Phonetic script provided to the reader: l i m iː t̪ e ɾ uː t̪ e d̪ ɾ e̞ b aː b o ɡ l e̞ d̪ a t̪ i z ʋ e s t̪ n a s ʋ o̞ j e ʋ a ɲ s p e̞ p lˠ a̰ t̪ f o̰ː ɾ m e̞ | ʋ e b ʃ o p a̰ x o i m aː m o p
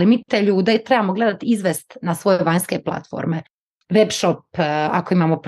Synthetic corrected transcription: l i m iː t̪ e ʎ uː d̪ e t̪ ɾ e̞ b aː m o ɡ l e̞ d̪ a t̪ i z ʋ e s t̪ n a s ʋ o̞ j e ʋ a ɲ s k e̞ p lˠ a̰ t̪ f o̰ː ɾ m e̞ | ʋ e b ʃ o p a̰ k o i m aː m o p